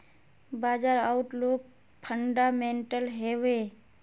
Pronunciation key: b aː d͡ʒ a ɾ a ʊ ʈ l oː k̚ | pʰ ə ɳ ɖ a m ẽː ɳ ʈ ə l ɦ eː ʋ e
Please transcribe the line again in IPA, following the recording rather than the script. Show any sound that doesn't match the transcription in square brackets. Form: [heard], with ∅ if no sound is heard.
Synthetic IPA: b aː d͡ʒ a ɾ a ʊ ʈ l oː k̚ | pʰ ə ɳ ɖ a m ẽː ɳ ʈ ə l ɦ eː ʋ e